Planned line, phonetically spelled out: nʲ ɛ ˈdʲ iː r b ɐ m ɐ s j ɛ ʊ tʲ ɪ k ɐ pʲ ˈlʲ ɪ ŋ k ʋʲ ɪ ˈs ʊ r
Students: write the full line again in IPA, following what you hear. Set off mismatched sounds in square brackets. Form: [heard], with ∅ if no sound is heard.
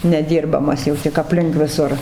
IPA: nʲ ɛ ˈdʲ iː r b ɐ m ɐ s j ɛ ʊ tʲ ɪ k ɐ pʲ ˈlʲ ɪ ŋ k ʋʲ ɪ ˈs ʊ r

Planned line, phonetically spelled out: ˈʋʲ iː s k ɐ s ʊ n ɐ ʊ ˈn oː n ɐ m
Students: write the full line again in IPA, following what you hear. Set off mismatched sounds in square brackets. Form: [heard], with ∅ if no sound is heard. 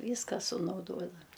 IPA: ˈʋʲ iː s k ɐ s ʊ n ɐ ʊ [ˈd] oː [d] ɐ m

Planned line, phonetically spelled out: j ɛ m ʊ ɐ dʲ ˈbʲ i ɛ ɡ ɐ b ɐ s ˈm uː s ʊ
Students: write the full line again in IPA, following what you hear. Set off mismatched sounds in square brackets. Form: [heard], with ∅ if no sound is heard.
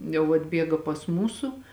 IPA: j ɛ [∅] ʊ ɐ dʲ ˈbʲ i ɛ ɡ ɐ [p] ɐ s ˈm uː s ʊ

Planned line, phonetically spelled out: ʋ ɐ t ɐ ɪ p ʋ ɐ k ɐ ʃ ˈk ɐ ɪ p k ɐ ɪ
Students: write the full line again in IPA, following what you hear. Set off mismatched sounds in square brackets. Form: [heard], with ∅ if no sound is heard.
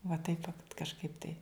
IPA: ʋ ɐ t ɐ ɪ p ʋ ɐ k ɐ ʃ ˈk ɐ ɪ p [t] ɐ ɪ

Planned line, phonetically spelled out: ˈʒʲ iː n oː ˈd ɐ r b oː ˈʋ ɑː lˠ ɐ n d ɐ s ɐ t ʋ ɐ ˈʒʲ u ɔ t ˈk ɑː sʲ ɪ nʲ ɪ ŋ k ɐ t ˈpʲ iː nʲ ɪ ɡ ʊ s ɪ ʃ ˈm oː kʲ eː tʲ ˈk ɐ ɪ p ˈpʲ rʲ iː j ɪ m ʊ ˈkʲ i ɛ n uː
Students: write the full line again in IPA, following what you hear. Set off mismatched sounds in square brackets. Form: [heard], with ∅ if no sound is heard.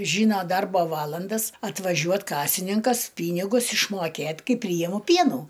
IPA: ˈʒʲ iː n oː ˈd ɐ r b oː ˈʋ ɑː lˠ ɐ n d ɐ s ɐ t ʋ ɐ ˈʒʲ u ɔ t ˈk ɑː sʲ ɪ nʲ ɪ ŋ k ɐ [s] ˈpʲ iː nʲ ɪ ɡ ʊ s ɪ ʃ ˈm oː kʲ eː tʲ ˈk ɐ ɪ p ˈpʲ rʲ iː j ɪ m ʊ [ˈpʲ] i ɛ n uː

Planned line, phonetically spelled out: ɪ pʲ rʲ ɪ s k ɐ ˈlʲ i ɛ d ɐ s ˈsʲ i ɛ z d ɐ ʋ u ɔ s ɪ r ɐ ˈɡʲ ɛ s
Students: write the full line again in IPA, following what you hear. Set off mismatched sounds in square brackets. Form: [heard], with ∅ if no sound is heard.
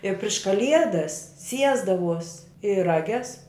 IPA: ɪ pʲ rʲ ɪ [ʃ] k ɐ ˈlʲ i ɛ d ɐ s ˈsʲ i ɛ z d ɐ ʋ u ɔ s ɪ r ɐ ˈɡʲ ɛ s

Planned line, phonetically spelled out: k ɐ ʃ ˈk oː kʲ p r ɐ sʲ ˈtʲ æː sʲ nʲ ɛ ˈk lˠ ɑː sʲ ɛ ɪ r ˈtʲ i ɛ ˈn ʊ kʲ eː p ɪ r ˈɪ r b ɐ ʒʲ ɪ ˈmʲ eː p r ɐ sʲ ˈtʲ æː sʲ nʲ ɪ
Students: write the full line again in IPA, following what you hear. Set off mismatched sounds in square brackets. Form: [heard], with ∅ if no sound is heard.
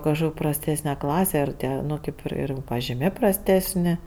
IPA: k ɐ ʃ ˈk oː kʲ p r ɐ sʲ ˈtʲ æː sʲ nʲ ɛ ˈk lˠ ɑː sʲ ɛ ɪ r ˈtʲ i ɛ ˈn ʊ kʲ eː p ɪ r ˈɪ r [p] ɐ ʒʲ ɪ ˈmʲ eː p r ɐ sʲ ˈtʲ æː sʲ nʲ ɪ

